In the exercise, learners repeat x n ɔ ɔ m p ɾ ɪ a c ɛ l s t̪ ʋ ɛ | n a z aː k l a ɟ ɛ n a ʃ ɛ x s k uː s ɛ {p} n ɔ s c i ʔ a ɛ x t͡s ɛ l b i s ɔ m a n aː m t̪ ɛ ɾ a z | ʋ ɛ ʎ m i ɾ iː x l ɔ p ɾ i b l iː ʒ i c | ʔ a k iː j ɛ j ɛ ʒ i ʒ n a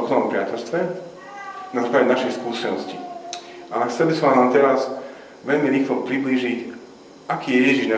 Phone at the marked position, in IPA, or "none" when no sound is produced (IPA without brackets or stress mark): none